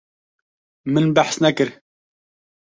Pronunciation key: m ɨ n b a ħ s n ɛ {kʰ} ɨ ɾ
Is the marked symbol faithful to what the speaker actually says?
no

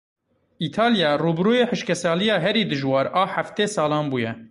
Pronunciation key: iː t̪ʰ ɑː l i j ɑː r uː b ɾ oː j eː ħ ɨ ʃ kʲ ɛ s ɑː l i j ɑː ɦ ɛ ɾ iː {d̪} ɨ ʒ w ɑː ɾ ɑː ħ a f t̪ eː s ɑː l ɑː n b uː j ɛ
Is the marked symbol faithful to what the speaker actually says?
yes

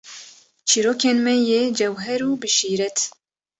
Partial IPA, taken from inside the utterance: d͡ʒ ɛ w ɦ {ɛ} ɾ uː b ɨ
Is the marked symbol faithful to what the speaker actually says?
yes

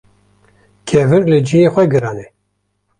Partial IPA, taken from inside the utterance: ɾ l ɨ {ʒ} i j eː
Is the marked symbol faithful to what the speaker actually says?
no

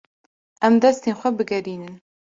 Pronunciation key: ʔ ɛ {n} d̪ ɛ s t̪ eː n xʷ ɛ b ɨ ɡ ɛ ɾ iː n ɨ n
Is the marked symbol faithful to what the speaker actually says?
no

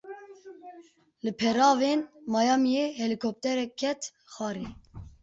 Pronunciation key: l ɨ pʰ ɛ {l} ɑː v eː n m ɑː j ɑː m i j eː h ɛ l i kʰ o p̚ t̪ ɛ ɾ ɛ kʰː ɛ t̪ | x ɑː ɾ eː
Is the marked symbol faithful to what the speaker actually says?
no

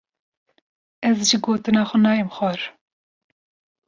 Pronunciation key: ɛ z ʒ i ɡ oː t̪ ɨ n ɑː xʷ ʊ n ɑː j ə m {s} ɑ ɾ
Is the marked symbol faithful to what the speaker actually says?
no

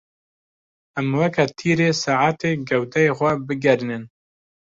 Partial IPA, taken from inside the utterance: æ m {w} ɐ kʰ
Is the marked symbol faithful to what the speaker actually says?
yes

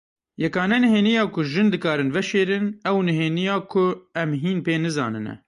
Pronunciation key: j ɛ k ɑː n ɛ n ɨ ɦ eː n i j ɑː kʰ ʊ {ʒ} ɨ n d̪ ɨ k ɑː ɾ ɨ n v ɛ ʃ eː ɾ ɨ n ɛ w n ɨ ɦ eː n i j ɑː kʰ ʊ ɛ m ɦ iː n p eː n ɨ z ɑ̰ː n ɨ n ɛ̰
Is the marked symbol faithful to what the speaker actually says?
yes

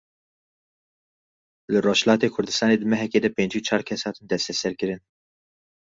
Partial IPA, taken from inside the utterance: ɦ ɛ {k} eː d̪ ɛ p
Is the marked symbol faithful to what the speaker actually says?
yes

